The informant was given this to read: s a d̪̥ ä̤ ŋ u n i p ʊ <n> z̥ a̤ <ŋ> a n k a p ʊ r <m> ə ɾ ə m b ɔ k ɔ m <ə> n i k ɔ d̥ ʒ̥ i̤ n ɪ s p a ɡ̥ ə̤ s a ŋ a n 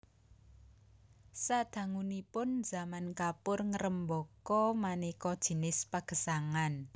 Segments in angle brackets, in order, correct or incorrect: correct, incorrect, incorrect, incorrect

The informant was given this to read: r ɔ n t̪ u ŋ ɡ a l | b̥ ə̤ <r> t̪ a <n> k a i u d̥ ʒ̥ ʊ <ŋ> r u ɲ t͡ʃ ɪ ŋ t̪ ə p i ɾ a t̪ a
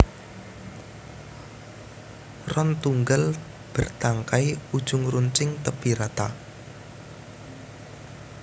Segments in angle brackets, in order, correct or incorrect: correct, incorrect, correct

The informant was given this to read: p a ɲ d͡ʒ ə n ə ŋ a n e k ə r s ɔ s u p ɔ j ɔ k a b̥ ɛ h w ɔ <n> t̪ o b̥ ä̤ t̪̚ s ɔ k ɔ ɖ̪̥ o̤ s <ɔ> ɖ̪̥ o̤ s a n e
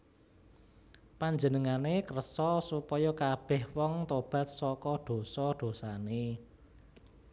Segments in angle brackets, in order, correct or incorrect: incorrect, correct

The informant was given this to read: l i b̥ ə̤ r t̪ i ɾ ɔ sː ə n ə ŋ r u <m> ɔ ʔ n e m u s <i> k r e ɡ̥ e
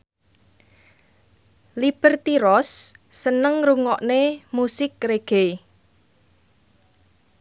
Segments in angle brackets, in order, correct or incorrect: incorrect, incorrect

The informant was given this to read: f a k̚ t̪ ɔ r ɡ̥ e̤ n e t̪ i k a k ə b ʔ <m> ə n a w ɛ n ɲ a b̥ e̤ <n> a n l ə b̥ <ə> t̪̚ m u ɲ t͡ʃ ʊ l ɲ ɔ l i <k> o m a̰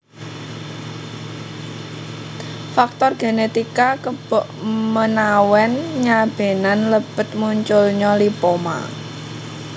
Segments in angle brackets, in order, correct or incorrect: correct, correct, correct, incorrect

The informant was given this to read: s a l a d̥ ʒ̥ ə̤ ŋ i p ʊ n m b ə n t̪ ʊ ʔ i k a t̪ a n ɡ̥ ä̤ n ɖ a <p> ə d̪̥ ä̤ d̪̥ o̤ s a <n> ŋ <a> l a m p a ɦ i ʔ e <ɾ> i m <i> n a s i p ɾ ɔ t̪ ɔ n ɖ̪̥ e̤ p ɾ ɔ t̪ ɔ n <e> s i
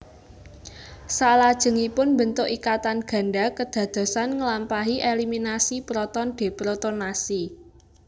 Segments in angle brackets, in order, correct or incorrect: incorrect, correct, incorrect, incorrect, correct, incorrect

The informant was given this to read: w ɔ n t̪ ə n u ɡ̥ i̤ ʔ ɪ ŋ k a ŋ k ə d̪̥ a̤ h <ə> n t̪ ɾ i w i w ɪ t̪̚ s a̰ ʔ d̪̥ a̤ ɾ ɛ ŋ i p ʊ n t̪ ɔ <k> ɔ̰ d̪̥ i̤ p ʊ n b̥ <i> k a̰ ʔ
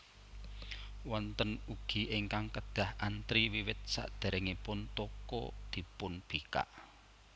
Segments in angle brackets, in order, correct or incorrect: incorrect, correct, correct

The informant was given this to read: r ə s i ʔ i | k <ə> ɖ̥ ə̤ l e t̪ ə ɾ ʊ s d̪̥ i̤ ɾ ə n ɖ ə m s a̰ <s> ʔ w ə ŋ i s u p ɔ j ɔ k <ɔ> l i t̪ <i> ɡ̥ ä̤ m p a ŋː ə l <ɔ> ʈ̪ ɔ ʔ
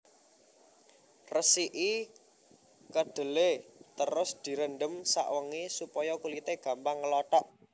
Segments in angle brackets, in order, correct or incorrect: correct, incorrect, incorrect, incorrect, correct

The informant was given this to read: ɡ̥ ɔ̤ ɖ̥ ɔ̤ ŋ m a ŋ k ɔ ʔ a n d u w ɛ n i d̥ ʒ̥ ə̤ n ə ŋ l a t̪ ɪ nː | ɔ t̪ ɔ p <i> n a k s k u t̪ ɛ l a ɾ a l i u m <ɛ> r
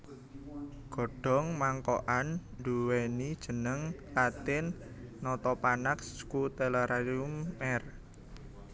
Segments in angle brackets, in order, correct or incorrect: incorrect, correct

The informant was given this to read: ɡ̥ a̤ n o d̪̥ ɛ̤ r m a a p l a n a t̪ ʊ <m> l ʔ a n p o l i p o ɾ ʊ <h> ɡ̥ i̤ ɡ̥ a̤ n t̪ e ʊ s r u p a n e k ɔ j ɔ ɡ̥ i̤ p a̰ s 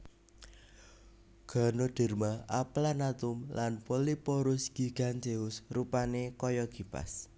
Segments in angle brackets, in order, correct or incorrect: correct, incorrect

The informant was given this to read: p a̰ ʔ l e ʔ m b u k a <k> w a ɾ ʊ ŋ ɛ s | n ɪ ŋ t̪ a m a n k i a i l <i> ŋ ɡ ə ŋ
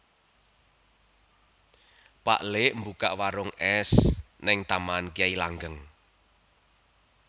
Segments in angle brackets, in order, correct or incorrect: incorrect, incorrect

